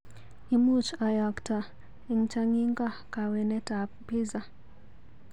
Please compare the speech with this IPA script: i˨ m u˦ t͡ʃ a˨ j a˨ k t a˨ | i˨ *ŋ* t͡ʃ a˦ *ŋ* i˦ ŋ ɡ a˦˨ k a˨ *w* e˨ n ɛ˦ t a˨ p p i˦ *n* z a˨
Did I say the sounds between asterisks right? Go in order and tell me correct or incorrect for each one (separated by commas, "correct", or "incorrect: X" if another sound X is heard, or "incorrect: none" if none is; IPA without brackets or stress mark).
correct, correct, correct, incorrect: none